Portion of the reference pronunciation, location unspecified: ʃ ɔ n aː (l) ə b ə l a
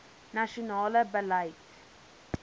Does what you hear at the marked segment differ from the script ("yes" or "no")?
no